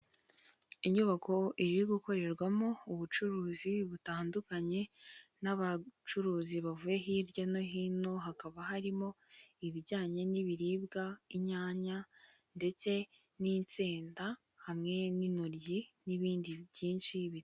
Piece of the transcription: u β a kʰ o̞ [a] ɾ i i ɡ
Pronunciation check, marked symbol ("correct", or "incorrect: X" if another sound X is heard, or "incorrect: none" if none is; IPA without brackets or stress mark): incorrect: i